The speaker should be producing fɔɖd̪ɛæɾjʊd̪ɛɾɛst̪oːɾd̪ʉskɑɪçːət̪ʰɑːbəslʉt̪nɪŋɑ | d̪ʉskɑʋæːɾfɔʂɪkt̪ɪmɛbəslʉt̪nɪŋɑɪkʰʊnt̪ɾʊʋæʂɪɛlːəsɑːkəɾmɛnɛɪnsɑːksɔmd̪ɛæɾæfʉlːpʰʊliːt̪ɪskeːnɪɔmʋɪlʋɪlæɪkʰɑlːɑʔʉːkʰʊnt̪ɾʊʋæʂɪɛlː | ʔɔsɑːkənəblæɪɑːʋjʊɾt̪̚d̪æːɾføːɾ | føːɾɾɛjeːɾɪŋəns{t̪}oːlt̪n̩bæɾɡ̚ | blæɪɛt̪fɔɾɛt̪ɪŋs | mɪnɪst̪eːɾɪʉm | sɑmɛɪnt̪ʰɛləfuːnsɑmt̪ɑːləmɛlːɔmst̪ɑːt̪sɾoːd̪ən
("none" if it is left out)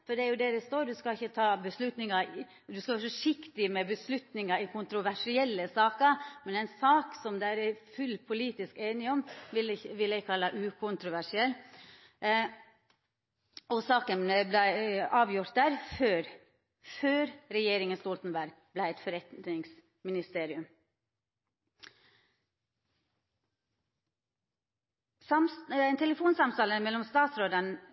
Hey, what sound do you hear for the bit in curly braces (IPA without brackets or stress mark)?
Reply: t̪